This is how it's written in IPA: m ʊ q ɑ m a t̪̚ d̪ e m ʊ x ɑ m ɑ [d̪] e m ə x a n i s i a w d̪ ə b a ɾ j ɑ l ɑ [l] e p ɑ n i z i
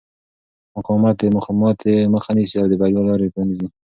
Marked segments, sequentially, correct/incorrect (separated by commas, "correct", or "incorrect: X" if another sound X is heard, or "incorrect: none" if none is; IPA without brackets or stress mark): incorrect: t̪, incorrect: ɾ